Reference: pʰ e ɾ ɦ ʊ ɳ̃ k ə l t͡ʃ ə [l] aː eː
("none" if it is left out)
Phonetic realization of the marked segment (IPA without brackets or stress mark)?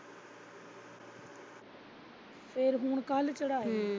ɽ